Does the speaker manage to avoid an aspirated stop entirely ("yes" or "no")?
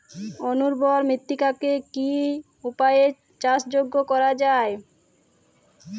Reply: yes